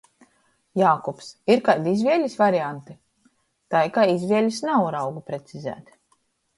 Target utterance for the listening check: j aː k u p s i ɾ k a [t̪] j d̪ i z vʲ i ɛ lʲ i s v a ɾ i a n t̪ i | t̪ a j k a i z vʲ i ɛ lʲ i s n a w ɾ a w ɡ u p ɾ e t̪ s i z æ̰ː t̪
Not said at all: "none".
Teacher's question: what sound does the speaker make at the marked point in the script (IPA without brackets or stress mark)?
none